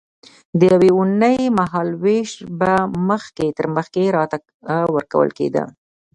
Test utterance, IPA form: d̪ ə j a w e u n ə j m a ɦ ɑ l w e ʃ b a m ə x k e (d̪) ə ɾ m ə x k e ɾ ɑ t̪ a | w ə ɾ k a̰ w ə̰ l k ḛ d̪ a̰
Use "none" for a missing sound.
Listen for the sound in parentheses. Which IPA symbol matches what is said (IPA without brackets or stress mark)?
t̪